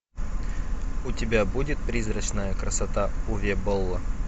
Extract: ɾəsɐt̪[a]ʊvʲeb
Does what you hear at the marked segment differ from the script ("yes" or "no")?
no